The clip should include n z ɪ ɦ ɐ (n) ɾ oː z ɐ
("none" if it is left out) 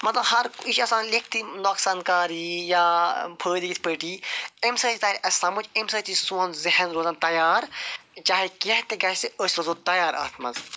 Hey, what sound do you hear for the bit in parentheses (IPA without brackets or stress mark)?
n